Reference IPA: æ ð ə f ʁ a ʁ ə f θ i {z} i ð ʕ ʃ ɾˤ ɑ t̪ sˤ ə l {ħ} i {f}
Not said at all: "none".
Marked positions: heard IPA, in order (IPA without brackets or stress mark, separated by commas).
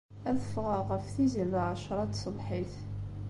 z, ħ, θ